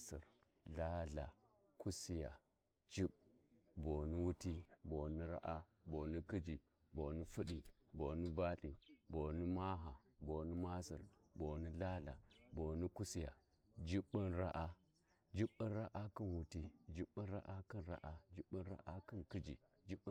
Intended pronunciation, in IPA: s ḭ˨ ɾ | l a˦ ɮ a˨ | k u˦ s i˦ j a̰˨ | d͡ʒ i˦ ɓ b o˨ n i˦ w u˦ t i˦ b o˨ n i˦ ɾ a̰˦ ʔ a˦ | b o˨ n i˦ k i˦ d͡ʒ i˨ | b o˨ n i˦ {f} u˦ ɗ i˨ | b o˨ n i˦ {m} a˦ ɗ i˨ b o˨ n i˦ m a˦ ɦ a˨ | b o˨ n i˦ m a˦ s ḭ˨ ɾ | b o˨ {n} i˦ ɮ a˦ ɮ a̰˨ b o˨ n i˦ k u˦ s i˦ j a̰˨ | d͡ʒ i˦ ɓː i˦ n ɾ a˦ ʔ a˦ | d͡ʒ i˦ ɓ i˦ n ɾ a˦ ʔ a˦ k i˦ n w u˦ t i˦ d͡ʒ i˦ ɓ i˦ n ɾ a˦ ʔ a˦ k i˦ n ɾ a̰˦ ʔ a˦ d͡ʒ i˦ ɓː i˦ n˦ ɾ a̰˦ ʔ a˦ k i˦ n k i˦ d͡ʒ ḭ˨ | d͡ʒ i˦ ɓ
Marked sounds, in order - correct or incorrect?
correct, incorrect, correct

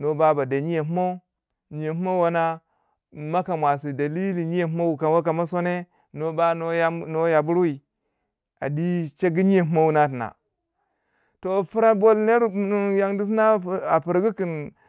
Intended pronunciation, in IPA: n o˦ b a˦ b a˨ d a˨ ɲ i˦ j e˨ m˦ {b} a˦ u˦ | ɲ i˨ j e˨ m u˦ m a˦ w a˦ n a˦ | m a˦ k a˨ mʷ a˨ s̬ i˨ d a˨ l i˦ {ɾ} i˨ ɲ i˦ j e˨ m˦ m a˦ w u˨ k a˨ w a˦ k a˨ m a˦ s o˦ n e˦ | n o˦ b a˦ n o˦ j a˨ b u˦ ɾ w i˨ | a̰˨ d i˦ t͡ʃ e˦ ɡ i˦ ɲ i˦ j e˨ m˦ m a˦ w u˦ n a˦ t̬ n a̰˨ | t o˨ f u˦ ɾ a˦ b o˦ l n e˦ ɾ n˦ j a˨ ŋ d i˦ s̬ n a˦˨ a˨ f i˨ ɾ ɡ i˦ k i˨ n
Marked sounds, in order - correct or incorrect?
incorrect, incorrect

